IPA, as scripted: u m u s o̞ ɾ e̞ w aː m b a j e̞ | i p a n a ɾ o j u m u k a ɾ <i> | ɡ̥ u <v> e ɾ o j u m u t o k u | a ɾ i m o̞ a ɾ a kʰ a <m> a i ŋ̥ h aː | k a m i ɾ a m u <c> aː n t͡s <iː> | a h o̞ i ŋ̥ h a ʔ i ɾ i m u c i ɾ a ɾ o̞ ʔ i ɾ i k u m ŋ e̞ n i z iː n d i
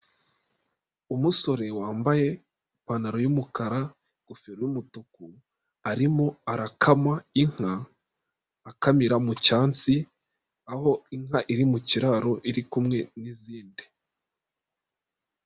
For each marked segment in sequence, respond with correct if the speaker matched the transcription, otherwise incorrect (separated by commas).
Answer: incorrect, incorrect, correct, correct, incorrect